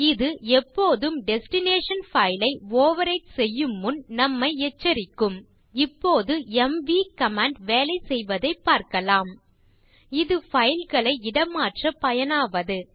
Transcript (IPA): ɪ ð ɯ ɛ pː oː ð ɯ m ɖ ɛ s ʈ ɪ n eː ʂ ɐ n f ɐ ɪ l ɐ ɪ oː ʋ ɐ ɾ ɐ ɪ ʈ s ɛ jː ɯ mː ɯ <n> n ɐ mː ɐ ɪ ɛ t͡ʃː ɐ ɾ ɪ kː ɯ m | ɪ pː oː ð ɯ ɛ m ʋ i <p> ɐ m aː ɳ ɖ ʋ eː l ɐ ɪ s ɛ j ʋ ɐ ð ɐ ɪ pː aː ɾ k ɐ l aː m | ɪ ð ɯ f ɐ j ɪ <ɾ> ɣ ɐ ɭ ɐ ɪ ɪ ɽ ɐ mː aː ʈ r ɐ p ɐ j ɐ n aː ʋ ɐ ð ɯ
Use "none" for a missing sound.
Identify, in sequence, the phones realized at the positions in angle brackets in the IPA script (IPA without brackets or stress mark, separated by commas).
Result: n, k, l